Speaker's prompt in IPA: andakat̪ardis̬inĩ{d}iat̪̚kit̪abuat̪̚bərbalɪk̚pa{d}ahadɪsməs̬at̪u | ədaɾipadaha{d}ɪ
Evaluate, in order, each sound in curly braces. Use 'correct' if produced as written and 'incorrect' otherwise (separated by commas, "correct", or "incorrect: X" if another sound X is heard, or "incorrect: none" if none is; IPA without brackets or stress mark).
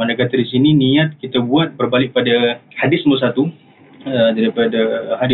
incorrect: n, correct, correct